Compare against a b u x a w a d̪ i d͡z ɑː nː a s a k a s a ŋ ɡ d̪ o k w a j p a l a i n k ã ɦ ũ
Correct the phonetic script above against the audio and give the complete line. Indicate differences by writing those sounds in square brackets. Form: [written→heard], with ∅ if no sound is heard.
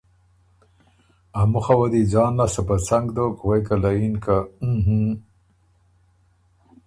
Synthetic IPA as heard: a [b→m] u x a w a d̪ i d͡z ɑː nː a s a [k→p] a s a ŋ ɡ d̪ o k w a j [p→k] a l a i n k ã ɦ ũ